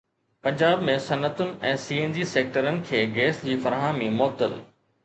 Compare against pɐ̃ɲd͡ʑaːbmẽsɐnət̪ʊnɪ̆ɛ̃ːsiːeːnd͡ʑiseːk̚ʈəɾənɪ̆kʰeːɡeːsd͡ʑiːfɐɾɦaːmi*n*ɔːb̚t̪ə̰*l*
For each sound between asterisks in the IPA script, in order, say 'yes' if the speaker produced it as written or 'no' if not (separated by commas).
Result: no, yes